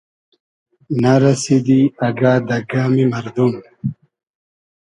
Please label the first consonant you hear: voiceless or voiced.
voiced